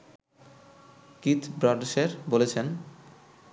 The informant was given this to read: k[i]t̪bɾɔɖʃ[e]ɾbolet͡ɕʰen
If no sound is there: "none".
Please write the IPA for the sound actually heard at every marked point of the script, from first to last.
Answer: i, e

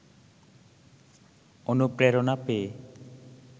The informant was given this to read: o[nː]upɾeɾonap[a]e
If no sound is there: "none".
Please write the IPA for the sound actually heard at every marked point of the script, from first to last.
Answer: n, e

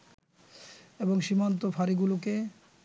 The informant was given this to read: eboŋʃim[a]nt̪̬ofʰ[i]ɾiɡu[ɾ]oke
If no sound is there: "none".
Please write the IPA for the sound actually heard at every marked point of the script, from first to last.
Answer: a, a, l

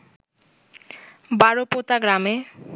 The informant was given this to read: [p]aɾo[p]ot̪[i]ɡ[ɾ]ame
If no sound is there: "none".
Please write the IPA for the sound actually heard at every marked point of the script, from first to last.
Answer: b, p, a, ɾ

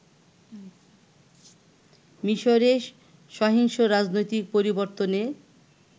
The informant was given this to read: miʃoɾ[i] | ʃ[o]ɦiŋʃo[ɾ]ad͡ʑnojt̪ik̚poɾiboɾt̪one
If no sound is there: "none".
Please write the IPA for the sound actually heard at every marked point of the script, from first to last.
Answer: e, ɔ, ɾ

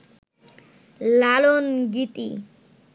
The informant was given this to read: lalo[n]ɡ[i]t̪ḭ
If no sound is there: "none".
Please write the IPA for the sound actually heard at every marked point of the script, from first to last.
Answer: n, i

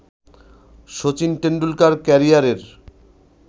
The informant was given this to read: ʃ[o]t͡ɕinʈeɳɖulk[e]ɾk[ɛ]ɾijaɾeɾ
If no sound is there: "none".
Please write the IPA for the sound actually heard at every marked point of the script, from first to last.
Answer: o, a, ɛ

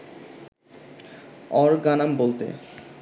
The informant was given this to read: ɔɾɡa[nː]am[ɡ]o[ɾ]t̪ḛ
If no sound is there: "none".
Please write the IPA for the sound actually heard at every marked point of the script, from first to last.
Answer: n, b, l

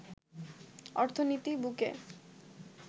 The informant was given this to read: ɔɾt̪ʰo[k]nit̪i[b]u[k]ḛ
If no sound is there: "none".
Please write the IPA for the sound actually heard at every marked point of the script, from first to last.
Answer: none, b, k

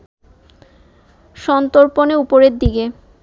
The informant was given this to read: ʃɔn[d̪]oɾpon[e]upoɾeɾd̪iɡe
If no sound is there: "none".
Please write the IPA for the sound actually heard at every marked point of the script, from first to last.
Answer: t̪, e

